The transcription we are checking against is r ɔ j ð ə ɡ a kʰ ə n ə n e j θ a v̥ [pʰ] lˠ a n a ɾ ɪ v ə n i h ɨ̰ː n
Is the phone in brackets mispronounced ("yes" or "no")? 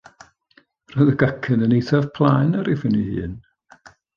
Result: no